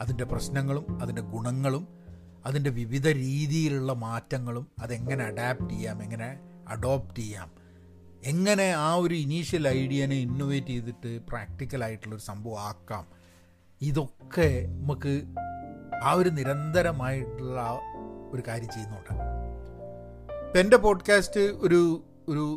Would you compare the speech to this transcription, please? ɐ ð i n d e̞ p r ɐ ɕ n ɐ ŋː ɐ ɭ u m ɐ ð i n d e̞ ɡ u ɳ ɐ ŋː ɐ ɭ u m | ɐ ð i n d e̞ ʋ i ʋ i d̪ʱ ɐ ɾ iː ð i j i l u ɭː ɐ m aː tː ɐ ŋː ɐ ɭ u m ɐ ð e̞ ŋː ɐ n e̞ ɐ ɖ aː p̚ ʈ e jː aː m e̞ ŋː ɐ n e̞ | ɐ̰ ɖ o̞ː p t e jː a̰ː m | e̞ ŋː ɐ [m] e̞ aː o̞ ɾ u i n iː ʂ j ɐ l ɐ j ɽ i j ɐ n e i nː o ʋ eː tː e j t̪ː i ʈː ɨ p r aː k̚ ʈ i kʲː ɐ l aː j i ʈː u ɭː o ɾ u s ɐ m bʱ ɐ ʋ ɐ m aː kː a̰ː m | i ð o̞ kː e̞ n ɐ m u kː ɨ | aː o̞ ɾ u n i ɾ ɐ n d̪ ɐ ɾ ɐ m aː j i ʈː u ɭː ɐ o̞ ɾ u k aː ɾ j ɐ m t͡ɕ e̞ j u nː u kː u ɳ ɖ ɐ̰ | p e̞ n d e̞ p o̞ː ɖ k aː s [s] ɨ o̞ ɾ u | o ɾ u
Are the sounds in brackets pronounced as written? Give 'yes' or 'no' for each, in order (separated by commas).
no, no